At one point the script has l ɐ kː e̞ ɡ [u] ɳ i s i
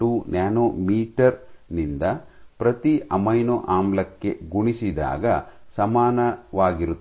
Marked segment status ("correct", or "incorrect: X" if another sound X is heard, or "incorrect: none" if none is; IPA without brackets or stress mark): correct